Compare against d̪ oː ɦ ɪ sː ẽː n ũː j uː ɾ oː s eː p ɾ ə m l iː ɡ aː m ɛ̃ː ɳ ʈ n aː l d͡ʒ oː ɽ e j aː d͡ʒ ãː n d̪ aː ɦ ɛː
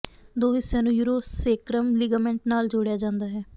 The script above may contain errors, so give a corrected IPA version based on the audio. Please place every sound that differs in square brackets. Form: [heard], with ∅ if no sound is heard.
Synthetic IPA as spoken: d̪ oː ɦ ɪ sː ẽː n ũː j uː ɾ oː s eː [k] ɾ ə m l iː ɡ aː m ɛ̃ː ɳ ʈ n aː l d͡ʒ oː ɽ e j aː d͡ʒ ãː n d̪ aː ɦ ɛː